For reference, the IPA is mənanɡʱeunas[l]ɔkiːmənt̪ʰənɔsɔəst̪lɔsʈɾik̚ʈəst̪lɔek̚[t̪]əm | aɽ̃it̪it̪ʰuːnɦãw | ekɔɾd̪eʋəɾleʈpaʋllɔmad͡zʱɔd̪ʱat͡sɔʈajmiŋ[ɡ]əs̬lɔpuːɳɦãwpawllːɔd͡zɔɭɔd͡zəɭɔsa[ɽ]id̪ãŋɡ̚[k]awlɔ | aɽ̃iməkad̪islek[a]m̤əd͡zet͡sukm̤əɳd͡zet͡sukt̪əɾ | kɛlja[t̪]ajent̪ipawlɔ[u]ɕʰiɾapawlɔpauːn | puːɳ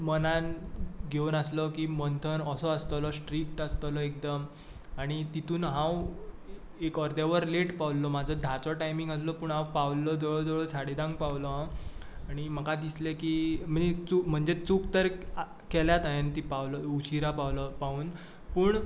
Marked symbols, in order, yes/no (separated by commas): yes, no, yes, yes, no, no, yes, yes